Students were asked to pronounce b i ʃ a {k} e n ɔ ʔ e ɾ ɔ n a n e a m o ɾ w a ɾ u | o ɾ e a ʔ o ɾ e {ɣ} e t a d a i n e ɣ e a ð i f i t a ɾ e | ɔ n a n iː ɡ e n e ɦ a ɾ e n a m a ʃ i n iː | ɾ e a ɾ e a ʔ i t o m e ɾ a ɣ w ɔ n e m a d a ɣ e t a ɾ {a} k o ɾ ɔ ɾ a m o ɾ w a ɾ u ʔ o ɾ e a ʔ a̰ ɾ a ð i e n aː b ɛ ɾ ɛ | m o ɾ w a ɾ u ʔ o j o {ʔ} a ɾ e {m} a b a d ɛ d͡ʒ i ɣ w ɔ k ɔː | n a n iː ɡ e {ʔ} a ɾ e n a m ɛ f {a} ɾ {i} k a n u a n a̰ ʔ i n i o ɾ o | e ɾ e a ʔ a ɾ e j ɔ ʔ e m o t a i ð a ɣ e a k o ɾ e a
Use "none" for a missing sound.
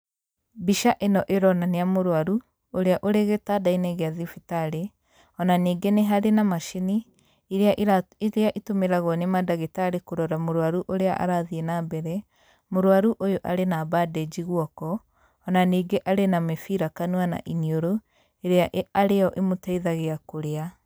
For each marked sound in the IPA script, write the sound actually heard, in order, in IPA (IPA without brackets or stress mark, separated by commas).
ʔ, ɣ, e, ʔ, n, ʔ, i, a